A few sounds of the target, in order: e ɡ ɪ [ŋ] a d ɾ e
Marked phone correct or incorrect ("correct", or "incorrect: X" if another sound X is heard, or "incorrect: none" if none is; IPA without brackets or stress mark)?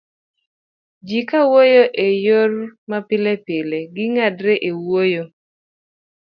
correct